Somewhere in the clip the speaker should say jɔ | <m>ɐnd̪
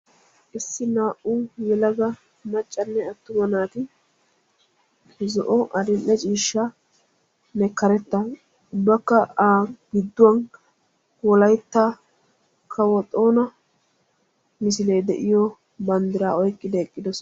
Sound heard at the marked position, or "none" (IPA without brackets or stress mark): b